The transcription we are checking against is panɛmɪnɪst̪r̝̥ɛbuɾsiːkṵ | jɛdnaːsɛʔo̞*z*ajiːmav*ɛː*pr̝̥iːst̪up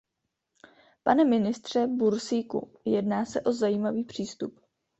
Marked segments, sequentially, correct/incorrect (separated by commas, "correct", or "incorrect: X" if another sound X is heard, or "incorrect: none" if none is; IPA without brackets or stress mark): correct, incorrect: iː